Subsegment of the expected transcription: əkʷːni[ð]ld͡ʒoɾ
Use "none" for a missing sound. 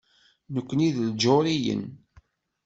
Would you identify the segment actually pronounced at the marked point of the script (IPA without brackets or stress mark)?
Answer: ð